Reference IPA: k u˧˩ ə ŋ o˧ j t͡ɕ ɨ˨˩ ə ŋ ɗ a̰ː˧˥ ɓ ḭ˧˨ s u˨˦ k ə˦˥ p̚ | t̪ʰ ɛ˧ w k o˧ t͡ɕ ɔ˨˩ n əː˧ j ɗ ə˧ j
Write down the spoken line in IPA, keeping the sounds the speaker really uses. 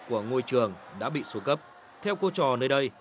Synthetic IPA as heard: k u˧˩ ə ŋ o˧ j t͡ɕ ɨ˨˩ ə ŋ ɗ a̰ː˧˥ ɓ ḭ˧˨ s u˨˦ k ə˦˥ p̚ | t̪ʰ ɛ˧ w k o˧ t͡ɕ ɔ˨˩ n əː˧ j ɗ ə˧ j